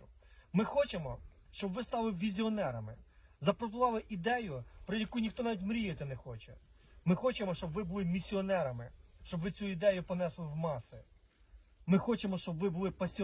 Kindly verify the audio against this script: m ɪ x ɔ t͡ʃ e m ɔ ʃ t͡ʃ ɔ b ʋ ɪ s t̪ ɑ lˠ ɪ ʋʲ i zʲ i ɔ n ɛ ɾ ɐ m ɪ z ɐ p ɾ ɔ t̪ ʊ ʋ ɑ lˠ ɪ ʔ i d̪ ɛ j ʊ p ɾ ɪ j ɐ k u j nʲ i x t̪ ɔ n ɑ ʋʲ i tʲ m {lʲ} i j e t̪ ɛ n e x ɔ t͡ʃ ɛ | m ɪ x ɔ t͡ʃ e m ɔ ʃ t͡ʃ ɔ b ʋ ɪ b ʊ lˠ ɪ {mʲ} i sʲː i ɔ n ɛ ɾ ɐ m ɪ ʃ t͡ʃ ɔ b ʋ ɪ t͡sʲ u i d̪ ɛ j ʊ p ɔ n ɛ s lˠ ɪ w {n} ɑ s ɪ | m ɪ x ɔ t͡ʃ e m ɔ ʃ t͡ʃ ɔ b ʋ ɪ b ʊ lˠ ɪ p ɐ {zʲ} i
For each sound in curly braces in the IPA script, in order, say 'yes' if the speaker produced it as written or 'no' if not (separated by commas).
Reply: no, yes, no, no